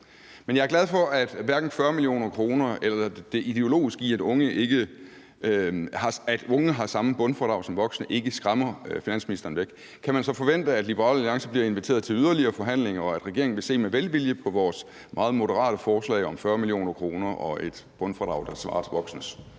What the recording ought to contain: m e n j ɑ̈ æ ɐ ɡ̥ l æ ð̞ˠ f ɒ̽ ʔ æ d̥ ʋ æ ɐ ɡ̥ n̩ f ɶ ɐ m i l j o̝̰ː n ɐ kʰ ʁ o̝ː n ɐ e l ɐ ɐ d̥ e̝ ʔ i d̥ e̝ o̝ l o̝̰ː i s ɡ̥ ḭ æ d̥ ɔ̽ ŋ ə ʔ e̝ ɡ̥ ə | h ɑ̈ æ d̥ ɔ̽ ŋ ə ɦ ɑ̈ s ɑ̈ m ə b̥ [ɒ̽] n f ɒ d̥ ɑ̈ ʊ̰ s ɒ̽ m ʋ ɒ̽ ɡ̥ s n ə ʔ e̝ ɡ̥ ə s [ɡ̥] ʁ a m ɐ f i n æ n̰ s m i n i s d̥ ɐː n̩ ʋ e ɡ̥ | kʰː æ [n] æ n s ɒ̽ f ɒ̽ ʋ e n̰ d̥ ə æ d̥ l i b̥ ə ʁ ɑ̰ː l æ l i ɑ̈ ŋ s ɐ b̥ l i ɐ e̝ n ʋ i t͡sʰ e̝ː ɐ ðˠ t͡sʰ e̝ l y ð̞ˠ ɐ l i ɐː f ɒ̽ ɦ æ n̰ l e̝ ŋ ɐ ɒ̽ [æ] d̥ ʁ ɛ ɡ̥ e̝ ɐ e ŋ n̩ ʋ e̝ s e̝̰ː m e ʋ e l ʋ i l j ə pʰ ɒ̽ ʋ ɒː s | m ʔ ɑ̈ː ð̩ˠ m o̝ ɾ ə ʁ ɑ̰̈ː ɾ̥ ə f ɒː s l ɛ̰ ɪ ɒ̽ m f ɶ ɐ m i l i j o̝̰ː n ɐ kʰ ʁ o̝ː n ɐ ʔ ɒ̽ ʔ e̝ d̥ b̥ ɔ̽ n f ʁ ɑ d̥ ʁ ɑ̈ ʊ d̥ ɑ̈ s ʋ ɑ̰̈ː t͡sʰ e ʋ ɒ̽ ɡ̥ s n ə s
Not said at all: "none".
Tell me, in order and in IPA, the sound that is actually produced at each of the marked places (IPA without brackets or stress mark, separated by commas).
ɔ̽, ɡ̥, m, æ